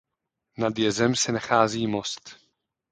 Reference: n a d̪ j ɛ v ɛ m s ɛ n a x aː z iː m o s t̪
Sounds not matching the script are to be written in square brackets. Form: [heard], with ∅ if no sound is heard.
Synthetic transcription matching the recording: n a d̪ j ɛ [z] ɛ m s ɛ n a x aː z iː m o s t̪